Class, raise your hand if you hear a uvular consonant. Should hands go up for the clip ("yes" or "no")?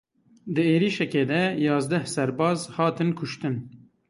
no